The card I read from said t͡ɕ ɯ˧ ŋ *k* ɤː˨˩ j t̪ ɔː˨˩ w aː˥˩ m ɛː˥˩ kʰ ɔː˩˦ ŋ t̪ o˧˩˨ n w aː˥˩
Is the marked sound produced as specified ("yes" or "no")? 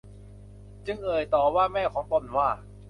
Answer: no